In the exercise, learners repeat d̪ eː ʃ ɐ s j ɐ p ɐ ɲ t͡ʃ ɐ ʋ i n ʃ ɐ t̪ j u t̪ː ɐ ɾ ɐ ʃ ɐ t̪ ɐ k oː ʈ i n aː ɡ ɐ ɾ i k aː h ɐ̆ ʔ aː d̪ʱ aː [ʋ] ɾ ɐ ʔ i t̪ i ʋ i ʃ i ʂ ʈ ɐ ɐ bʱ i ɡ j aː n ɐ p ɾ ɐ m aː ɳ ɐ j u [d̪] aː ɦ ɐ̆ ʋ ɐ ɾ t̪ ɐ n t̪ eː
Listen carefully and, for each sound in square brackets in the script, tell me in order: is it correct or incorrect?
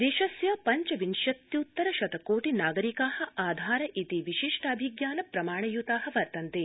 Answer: incorrect, incorrect

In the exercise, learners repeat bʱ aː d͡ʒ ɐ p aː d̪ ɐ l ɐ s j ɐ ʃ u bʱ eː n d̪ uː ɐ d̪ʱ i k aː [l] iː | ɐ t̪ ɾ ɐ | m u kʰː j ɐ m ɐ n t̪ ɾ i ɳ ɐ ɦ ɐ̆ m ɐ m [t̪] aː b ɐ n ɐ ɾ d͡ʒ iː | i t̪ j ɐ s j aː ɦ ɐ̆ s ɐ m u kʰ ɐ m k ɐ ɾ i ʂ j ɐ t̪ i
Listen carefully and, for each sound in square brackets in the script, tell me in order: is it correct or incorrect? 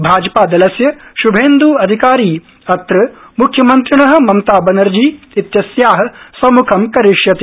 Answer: incorrect, correct

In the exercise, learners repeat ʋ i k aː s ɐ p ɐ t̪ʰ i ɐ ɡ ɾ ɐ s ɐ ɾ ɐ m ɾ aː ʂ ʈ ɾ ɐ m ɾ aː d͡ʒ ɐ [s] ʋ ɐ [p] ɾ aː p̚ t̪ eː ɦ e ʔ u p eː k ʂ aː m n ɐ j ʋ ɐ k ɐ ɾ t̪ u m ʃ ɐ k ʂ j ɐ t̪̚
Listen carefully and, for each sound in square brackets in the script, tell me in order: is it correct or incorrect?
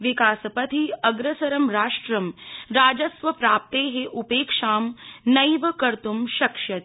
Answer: correct, correct

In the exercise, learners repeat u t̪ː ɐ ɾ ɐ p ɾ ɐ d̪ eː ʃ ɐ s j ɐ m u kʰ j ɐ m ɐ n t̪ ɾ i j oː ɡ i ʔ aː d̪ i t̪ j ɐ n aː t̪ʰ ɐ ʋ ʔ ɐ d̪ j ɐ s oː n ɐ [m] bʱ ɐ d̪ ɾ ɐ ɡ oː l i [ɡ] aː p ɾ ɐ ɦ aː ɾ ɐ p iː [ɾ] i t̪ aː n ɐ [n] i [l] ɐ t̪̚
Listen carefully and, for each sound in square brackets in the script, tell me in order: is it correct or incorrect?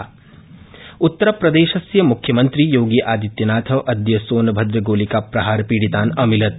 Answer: incorrect, incorrect, incorrect, incorrect, correct

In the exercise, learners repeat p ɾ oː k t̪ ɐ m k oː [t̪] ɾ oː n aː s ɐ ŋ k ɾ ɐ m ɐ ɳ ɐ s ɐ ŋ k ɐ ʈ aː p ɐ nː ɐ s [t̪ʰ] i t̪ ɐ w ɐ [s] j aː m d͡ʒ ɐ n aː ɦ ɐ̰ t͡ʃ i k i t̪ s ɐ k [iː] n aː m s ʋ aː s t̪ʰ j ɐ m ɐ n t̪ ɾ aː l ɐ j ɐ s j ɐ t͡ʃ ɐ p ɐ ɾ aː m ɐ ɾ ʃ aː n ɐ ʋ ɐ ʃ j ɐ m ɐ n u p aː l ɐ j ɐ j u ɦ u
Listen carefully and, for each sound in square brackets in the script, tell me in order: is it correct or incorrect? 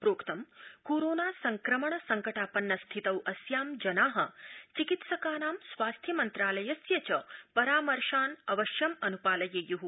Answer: incorrect, correct, correct, incorrect

